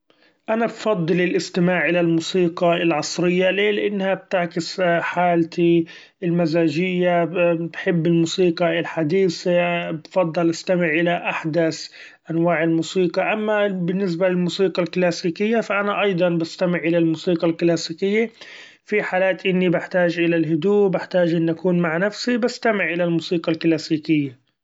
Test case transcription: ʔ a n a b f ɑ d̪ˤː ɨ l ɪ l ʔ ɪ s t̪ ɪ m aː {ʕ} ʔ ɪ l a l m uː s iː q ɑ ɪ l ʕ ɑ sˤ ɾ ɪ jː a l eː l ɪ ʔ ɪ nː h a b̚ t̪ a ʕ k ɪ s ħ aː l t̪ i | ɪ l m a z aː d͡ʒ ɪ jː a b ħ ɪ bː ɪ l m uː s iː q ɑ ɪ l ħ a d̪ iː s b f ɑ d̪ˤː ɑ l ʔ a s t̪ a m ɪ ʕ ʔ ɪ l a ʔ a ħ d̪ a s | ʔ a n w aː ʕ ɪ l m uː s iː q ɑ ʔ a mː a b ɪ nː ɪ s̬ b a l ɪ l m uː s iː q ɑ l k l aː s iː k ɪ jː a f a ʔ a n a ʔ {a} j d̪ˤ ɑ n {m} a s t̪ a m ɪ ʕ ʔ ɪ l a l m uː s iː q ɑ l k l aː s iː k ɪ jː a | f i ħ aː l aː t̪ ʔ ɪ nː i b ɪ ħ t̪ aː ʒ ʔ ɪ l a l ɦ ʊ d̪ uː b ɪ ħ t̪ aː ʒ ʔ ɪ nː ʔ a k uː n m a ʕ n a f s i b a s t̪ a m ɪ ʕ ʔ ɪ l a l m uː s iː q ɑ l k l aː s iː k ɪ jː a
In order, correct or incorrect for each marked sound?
correct, incorrect: ɑ, incorrect: b

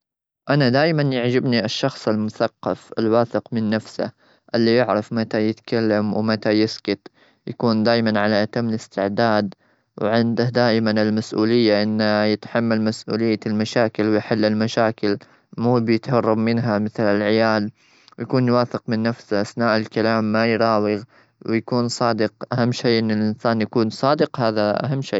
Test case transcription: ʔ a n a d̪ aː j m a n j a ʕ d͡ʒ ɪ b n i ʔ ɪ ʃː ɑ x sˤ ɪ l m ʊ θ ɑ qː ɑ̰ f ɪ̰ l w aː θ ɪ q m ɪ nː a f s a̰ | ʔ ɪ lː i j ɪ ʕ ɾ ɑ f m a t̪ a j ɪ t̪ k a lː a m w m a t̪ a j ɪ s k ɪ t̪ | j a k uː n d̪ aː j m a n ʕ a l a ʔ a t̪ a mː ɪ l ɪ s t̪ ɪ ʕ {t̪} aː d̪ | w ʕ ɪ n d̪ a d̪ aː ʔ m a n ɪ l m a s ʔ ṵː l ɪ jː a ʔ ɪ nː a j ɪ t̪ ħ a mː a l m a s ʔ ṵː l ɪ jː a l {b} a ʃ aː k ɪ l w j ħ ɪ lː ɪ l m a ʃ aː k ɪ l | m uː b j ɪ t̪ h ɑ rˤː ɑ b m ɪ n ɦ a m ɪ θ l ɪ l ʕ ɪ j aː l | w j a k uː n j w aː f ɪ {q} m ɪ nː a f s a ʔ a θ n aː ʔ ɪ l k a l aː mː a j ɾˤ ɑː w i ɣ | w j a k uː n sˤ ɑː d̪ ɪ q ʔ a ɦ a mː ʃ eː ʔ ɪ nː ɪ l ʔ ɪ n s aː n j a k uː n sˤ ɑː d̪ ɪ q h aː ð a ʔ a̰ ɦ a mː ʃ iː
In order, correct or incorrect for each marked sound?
incorrect: d̪, incorrect: m, correct

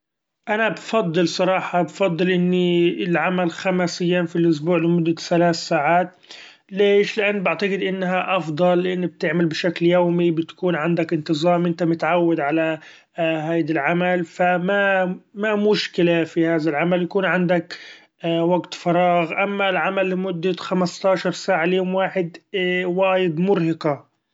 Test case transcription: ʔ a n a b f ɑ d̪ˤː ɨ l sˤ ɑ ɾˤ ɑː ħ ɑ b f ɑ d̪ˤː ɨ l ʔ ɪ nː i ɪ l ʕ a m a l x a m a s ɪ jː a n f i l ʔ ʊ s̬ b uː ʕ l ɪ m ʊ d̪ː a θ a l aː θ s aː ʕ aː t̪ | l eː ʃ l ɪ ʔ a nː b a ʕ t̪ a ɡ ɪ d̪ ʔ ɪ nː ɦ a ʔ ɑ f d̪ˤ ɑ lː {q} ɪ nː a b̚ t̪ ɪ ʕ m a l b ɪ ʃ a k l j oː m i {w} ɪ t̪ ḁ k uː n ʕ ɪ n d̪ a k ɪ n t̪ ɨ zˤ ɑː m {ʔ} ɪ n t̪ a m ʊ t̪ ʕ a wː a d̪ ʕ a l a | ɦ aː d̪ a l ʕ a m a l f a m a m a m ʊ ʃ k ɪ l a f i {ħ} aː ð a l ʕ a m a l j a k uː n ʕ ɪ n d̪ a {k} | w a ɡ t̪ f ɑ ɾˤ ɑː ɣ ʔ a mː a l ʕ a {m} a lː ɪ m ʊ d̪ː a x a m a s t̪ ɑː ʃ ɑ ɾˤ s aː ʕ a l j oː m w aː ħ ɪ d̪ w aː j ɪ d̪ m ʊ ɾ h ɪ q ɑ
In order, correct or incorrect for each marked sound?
incorrect: ʔ, incorrect: b, correct, incorrect: h, correct, correct

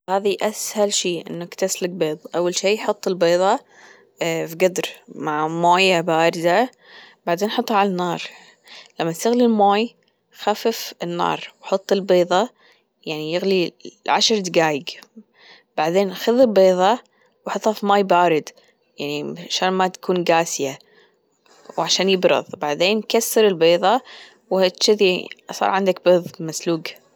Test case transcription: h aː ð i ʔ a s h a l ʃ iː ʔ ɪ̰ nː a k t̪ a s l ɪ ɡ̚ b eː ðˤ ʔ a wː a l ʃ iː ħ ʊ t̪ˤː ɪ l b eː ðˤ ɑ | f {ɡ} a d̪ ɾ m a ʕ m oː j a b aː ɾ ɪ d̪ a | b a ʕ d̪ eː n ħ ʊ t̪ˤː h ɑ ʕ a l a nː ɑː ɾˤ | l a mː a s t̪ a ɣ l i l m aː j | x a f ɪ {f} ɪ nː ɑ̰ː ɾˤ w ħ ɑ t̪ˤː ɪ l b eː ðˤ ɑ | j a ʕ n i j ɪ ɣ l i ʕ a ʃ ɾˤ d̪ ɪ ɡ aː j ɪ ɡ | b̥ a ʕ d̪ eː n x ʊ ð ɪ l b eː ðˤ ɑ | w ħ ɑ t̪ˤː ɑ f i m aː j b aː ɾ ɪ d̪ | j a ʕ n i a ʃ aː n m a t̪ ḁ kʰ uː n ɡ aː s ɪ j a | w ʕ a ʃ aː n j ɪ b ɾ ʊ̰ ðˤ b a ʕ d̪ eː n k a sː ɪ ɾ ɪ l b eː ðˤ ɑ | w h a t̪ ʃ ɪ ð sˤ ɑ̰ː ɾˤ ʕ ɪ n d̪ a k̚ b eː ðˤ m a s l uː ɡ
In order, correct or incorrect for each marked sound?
correct, correct

